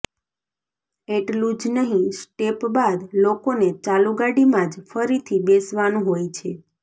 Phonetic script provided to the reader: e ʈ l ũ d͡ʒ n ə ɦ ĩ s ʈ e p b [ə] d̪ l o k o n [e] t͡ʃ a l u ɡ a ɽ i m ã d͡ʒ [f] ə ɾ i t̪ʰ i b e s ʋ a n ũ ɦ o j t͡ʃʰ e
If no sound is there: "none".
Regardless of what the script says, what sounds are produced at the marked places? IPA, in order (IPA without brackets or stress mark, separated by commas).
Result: a, e, f